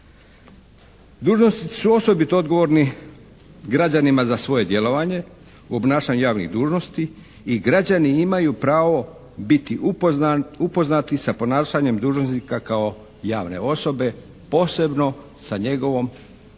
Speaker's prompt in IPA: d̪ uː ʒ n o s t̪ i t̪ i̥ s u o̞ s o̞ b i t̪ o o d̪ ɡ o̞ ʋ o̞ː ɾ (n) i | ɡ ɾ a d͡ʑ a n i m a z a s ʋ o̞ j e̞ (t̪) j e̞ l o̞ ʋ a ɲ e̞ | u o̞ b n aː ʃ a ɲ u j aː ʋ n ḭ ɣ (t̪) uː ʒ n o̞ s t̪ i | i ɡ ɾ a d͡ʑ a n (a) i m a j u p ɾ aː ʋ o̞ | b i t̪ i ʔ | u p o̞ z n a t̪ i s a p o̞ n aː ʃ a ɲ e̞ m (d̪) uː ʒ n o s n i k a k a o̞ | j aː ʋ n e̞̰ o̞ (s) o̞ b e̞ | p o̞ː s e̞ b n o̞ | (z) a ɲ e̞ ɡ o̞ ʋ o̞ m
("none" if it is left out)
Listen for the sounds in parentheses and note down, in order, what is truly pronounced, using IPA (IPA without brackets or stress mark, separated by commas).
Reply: n, d̪, d̪, i, d̪, s, s